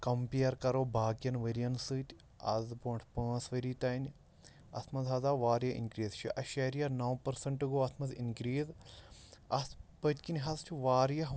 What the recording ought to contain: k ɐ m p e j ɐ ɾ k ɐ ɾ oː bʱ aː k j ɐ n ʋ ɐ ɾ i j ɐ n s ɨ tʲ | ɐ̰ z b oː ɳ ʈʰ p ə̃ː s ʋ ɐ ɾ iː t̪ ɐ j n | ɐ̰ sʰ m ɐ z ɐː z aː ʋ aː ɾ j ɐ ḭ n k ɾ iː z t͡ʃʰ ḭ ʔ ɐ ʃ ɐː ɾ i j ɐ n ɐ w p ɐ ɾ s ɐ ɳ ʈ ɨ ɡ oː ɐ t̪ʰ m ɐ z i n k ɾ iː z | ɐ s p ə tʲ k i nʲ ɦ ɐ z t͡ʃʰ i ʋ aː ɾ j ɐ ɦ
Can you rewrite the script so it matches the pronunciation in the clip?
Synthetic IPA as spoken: k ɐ m p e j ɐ ɾ k ɐ ɾ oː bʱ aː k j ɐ n ʋ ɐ ɾ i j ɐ n s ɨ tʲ | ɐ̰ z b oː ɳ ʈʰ p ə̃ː s ʋ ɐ ɾ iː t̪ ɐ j n | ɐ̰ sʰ m ɐ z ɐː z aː ʋ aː ɾ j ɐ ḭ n k ɾ iː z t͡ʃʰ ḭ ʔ ɐ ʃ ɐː ɾ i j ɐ n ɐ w p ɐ ɾ s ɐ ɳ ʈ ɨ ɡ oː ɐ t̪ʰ m ɐ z i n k ɾ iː z | ɐ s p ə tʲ k i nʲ ɦ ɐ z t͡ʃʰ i ʋ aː ɾ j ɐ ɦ